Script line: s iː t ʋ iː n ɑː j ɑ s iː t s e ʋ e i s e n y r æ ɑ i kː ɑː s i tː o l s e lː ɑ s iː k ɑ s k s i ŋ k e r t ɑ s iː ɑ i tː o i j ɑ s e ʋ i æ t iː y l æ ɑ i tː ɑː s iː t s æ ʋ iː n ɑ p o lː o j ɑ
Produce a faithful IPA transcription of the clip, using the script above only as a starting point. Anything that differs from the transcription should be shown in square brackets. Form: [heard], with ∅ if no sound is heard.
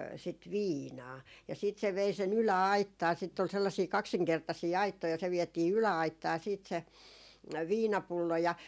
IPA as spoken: s [i] t ʋ iː n ɑː j ɑ s iː t s e ʋ e i s e n y [l] æ ɑ i [tː] ɑː s i tː o l s e lː ɑ s iː k ɑ [∅] k s i ŋ k e r t ɑ s iː ɑ i tː o i j ɑ s e ʋ i [ɛ] t iː y l æ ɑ i tː ɑː s iː t s [e] ʋ iː n ɑ p [u] lː o j ɑ